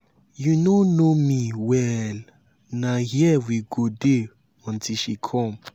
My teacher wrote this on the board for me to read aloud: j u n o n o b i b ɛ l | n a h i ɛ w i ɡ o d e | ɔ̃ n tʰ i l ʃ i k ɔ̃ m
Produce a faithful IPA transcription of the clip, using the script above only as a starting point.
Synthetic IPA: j u n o n o m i w ɛ l | n a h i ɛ w i ɡ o d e | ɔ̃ n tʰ i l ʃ i kʰ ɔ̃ m